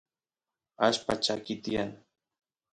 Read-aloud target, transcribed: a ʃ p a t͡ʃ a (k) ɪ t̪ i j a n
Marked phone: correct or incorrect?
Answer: correct